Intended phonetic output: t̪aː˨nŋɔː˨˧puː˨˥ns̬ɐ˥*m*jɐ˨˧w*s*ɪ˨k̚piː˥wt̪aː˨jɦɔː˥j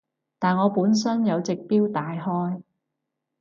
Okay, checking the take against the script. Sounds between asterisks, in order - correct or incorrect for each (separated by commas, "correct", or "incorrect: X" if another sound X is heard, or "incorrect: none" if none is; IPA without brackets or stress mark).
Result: incorrect: n, incorrect: t͡s